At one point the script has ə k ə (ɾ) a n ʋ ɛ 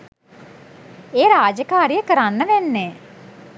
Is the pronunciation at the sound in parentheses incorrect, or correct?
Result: correct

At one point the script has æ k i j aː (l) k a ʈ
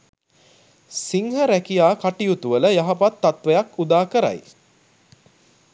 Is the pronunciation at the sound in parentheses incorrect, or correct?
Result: incorrect: none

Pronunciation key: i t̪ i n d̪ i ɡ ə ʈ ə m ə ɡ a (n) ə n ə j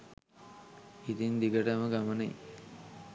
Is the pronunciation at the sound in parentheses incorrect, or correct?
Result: incorrect: m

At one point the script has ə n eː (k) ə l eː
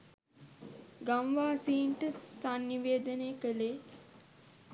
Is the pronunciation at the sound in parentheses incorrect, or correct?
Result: correct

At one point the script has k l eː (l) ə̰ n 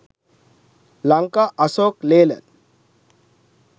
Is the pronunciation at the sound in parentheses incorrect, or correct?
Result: correct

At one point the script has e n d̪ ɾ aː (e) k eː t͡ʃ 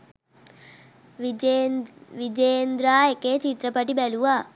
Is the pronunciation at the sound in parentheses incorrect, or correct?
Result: correct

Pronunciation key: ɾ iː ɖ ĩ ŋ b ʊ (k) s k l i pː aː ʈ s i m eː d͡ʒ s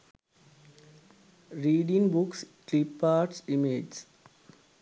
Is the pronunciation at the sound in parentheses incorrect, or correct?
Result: correct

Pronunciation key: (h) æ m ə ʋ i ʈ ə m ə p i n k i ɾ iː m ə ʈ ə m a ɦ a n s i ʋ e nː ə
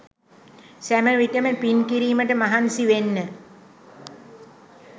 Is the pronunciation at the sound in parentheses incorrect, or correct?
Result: incorrect: s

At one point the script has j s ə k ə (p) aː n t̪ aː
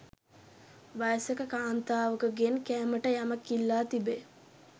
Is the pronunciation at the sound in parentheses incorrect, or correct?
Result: incorrect: k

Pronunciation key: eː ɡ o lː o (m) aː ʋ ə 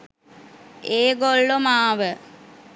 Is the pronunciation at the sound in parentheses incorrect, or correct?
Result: correct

